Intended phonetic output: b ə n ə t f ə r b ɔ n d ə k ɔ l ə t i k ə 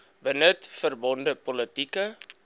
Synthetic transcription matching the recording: b ə n ə t f ə r b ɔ n d ə p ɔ l ə t i k ə